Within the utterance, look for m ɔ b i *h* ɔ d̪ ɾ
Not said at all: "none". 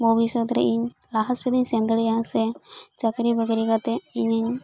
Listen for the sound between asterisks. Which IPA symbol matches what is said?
s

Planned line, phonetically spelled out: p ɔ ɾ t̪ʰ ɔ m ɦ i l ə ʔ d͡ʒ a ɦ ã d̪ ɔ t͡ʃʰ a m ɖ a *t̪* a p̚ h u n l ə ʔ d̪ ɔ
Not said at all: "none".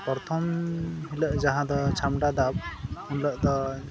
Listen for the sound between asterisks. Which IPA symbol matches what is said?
d̪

